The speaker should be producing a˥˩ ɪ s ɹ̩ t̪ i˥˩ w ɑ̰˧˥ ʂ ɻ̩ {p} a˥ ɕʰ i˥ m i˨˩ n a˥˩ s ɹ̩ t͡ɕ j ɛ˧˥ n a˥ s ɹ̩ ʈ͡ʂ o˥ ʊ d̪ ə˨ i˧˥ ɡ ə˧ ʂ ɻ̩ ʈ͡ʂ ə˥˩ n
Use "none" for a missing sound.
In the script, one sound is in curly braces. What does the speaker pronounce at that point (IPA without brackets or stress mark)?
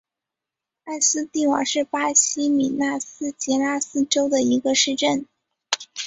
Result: p